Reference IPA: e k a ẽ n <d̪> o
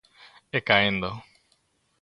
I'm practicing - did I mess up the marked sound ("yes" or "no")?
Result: no